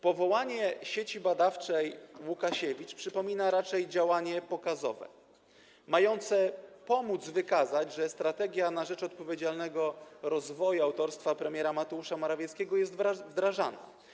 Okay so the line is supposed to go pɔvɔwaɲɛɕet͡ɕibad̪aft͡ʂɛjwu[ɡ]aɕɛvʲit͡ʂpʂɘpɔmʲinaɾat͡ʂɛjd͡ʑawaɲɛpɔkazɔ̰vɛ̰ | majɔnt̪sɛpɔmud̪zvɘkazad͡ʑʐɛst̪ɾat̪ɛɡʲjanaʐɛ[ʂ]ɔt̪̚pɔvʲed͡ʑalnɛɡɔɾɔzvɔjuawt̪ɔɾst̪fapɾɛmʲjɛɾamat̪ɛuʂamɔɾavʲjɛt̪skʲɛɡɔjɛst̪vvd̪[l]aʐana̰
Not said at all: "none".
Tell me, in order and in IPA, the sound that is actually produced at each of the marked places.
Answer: k, t͡ʂ, ɾ

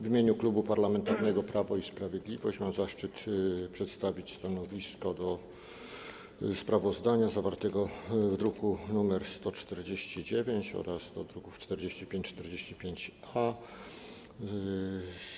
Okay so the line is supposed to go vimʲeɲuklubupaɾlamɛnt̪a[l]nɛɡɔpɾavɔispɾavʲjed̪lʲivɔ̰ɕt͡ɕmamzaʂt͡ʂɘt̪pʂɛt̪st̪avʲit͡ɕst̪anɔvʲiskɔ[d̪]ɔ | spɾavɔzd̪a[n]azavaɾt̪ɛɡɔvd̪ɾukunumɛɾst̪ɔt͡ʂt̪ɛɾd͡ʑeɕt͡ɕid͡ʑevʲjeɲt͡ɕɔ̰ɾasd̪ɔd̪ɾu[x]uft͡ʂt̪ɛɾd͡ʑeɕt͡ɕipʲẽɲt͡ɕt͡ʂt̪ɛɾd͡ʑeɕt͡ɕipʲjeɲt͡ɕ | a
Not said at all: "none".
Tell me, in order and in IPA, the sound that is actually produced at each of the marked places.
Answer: ɾ, d̪, ɲ, k

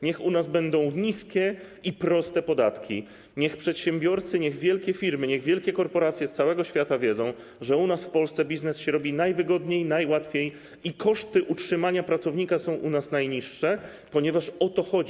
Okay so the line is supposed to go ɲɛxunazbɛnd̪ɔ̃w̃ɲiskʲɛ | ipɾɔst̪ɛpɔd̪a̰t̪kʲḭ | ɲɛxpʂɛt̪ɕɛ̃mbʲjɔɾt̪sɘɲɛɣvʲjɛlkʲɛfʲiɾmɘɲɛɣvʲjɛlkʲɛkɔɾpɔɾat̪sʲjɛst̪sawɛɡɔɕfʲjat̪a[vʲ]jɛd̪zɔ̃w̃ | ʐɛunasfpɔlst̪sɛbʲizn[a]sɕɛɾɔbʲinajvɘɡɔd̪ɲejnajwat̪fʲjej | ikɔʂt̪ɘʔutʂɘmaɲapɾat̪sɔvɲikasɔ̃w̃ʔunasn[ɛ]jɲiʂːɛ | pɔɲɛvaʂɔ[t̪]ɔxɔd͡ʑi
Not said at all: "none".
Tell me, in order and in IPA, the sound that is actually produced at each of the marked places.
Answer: vʲ, ɛ, a, t̪

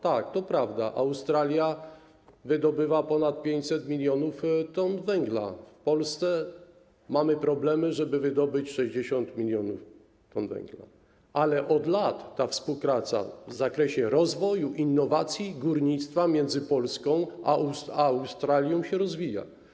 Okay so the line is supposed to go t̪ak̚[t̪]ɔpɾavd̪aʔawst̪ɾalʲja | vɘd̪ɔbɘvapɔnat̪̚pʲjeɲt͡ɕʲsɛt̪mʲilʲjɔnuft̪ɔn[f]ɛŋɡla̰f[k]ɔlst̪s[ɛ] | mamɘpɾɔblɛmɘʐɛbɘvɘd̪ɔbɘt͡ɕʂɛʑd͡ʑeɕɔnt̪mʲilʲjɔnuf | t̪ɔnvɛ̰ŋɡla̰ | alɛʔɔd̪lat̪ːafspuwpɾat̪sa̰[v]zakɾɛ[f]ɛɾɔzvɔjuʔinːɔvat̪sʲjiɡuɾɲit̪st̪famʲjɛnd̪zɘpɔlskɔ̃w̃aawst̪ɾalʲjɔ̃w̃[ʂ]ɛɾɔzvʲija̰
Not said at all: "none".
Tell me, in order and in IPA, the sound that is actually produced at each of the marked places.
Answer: t̪, v, p, ɛ, v, ɕ, ɕ

